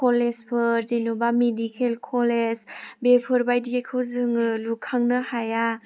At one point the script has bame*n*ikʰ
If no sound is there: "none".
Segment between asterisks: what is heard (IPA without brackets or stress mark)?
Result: d